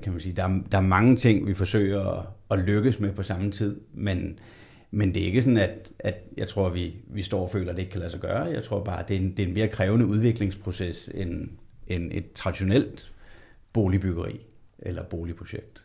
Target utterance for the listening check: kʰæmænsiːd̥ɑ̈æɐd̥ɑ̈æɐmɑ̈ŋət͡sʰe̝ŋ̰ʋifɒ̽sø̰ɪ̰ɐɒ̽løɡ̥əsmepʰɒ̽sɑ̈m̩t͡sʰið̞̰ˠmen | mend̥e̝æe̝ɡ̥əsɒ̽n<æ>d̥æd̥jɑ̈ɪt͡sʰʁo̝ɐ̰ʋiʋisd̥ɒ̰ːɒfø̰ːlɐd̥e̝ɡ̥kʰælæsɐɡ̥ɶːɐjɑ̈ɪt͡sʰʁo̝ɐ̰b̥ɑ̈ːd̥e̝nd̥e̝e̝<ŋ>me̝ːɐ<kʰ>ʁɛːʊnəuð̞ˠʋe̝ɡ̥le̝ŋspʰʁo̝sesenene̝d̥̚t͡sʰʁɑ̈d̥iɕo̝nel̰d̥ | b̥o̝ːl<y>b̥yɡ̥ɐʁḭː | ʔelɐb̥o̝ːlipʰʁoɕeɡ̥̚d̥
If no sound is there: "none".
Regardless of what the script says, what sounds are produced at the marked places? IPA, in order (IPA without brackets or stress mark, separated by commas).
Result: æ, n, kʰ, i